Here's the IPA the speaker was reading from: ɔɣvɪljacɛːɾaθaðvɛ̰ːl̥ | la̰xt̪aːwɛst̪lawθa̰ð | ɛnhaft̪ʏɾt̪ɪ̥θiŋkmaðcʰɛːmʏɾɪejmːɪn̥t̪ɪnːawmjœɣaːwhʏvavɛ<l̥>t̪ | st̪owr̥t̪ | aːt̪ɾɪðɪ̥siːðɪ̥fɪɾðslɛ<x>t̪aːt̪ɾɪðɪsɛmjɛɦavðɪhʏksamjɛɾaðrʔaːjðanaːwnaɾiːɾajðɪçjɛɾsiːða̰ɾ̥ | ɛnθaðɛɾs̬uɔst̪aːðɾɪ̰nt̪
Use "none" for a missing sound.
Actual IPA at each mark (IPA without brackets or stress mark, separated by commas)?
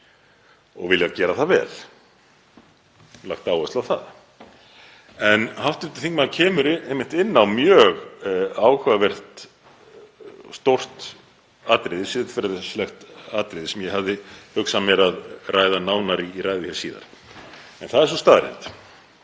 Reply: r̥, x